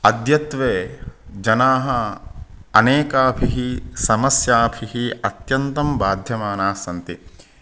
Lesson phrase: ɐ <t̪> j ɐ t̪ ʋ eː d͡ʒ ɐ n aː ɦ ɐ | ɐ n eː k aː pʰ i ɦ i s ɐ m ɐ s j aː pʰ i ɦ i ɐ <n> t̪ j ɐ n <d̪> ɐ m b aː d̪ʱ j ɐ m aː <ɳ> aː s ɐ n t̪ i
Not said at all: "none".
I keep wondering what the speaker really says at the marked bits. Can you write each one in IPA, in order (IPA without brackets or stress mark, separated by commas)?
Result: d̪, none, t̪, n